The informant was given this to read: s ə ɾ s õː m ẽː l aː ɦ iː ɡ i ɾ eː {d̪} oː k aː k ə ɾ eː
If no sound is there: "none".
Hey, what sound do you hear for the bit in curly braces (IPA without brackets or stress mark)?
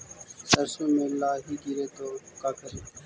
t̪